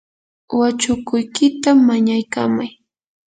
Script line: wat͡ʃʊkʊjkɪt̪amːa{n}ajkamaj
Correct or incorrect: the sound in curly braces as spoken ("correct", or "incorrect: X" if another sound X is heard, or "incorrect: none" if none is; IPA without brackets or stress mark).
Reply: incorrect: ɲ